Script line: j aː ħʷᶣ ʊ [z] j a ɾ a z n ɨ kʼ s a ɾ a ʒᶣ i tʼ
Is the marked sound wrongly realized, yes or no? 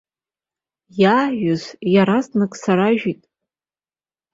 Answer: no